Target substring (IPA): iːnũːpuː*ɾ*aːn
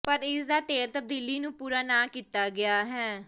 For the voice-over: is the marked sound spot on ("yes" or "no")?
yes